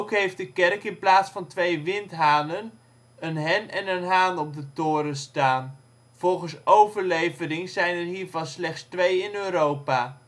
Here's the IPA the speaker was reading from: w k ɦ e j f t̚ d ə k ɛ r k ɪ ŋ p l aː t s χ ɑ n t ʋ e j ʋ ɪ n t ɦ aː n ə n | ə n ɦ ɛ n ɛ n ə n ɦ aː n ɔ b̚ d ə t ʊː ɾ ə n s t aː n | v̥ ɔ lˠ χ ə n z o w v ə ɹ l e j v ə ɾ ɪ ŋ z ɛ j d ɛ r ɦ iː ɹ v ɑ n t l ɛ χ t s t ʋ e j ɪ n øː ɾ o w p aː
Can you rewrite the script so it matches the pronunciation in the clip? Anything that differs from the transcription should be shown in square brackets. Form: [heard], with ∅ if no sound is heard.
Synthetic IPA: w k ɦ e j f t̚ d ə k ɛ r k ɪ [n] p l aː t s [f] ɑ n t ʋ e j ʋ ɪ n t ɦ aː n ə n | ə n ɦ ɛ n ɛ n ə n ɦ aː n ɔ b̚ d ə t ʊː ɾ ə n s t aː n | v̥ ɔ lˠ χ ə n [s] o w v ə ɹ l e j v ə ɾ ɪ ŋ z ɛ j [n] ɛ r ɦ iː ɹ v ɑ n [s] l ɛ χ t s t ʋ e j ɪ n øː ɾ o w p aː